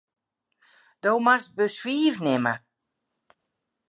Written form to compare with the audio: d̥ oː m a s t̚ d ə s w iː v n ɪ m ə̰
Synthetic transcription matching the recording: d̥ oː m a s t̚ b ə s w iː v n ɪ m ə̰